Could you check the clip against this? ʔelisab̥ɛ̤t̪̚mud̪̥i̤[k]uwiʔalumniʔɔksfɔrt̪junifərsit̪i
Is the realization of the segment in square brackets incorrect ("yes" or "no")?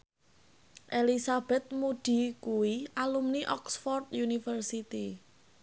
no